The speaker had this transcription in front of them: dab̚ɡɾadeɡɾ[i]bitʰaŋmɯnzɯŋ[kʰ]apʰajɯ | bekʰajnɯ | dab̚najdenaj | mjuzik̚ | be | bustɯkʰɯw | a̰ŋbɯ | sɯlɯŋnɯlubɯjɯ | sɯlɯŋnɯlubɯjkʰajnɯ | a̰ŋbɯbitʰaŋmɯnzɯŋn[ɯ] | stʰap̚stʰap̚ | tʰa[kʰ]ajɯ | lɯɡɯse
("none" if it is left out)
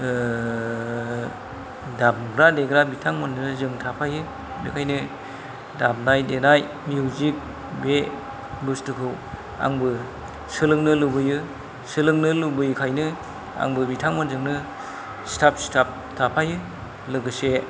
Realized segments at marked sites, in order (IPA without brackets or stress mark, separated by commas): a, tʰ, ɯ, pʰ